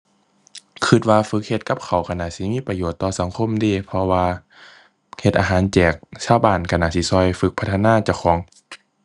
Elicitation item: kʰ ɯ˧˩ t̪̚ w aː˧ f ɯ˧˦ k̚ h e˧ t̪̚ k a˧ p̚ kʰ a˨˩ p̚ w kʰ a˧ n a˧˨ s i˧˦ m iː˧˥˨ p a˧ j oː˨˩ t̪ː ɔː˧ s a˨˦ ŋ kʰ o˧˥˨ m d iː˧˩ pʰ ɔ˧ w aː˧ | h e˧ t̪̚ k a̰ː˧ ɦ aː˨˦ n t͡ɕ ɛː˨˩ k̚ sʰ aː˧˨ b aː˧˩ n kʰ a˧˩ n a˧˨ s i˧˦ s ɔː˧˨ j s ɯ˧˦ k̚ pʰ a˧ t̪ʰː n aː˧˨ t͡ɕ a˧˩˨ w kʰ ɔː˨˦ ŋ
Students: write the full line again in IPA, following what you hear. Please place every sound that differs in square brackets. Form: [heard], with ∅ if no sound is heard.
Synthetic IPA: kʰ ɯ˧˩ t̪̚ w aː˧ f ɯ˧˦ k̚ h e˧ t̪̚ k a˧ p̚ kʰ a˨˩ [∅] w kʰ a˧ n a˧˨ s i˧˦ m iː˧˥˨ p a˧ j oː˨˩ t̪ː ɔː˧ s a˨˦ ŋ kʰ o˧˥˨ m d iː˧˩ pʰ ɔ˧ w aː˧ | h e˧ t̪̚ [ʔ] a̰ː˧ ɦ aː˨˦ n t͡ɕ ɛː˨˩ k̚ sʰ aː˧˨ b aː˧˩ n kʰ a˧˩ n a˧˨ s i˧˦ s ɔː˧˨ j [f] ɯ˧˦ k̚ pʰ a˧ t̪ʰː n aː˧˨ t͡ɕ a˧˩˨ w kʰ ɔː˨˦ ŋ